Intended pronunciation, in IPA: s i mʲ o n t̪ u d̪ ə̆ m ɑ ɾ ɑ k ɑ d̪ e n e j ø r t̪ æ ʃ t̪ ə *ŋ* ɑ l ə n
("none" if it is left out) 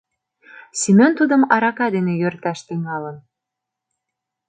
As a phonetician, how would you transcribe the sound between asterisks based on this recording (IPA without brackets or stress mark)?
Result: ŋ